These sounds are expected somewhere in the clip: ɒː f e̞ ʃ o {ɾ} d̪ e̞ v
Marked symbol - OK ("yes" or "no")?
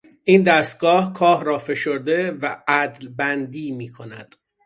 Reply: yes